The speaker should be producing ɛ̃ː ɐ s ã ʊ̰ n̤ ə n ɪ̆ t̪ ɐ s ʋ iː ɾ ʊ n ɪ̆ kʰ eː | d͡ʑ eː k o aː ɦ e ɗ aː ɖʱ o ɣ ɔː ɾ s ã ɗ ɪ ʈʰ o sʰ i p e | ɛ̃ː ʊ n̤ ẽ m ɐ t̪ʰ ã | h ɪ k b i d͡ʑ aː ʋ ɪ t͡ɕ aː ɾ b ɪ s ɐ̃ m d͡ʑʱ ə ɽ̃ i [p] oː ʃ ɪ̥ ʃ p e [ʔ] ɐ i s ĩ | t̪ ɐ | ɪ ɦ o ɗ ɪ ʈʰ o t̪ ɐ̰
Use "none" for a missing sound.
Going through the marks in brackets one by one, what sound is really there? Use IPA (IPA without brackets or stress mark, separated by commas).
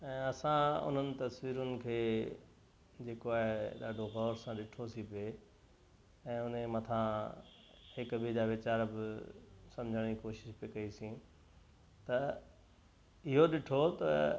k, k